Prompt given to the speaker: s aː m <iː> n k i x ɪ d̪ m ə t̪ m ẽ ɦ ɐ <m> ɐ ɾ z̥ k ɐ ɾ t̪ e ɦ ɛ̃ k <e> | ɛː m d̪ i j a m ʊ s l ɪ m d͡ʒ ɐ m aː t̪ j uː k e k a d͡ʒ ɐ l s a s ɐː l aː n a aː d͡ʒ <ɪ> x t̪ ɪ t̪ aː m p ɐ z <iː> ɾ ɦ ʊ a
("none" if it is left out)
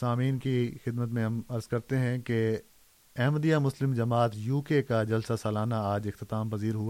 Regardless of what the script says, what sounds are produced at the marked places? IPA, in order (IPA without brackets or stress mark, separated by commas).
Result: iː, m, e, ɪ, iː